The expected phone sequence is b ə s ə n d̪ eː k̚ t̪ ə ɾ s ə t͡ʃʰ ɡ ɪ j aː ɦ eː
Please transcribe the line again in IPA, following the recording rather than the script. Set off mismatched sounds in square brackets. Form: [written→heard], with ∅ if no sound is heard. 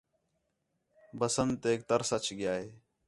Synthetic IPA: b ə s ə n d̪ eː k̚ t̪ ə ɾ s ə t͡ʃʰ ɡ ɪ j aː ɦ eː